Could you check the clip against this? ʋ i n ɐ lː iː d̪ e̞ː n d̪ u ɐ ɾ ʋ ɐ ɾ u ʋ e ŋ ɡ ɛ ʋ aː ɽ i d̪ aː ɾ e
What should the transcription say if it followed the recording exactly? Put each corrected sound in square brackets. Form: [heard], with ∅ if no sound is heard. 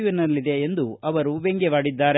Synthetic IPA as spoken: ʋ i n ɐ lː [i] d̪ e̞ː n d̪ u ɐ [∅] ʋ ɐ ɾ u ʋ e ŋ ɡ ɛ ʋ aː ɽ i [d̪ː] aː ɾ e